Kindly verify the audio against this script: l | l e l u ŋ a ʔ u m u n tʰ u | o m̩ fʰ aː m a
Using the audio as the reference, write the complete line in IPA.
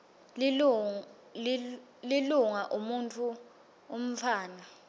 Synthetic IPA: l | l i l u ŋ a ʔ u m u n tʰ u | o m̩ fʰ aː n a